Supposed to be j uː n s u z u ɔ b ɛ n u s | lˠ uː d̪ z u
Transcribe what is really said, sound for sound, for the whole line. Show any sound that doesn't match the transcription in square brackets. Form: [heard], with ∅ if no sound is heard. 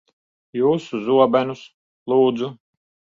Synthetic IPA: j uː [∅] s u z u ɔ b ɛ n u s | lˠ uː d̪ z u